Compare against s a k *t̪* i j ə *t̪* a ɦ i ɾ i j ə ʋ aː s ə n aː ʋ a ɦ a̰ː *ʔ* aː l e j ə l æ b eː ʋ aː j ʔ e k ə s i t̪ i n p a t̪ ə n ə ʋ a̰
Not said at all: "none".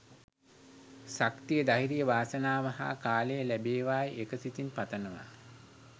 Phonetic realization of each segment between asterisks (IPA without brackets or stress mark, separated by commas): t̪, d̪, k